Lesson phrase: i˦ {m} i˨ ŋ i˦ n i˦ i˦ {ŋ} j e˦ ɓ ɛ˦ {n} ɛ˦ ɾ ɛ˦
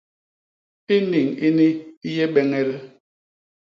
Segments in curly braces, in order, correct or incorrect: incorrect: n, incorrect: none, incorrect: ŋ

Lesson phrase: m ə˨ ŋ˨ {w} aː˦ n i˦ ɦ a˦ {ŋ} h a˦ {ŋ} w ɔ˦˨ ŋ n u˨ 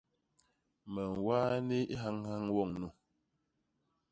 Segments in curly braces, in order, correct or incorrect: correct, correct, correct

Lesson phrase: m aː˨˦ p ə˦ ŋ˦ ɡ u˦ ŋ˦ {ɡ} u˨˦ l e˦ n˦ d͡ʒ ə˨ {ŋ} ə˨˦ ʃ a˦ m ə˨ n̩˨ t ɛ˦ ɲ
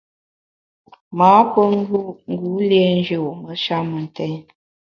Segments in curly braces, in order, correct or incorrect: correct, incorrect: m

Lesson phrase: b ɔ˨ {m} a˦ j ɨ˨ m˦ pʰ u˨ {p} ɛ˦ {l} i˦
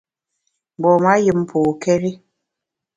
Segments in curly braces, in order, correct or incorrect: correct, incorrect: k, incorrect: ɾ

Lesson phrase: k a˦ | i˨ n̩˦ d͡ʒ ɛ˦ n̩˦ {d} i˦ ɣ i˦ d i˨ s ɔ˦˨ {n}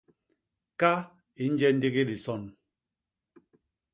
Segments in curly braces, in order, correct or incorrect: correct, correct

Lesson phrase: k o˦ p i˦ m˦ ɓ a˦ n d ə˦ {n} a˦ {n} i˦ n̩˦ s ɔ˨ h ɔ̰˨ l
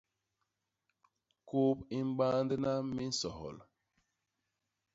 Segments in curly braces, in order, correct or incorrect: correct, incorrect: m

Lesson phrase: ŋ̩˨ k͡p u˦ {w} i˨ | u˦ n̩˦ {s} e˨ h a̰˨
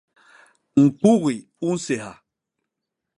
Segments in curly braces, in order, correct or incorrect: incorrect: ɣ, correct

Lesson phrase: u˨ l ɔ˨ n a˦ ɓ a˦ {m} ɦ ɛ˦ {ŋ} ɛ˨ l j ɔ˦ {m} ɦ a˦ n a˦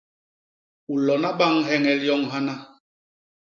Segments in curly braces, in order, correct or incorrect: incorrect: ŋ, correct, incorrect: ŋ

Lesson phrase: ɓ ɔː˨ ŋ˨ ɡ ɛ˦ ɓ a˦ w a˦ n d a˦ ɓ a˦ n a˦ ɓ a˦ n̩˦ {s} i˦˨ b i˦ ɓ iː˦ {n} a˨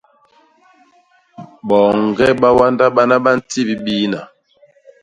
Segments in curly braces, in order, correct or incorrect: incorrect: t, correct

